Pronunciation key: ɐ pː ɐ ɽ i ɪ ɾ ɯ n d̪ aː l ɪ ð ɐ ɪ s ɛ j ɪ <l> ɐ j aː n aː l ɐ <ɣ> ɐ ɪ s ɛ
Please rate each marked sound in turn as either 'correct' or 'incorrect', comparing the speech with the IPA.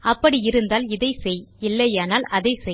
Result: incorrect, incorrect

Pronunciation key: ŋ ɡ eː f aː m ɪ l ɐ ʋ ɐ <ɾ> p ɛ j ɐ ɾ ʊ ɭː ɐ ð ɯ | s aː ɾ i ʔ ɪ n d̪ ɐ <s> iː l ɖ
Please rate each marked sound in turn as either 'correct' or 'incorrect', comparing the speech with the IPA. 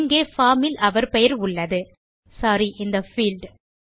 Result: correct, incorrect

